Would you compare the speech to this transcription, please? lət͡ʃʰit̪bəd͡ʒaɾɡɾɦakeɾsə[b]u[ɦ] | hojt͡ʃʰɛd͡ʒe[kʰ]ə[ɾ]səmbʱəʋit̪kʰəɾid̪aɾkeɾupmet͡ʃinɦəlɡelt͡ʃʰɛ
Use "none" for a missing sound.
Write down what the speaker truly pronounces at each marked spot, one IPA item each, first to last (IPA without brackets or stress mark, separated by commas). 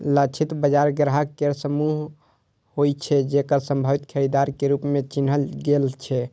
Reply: m, ɦ, k, ɾ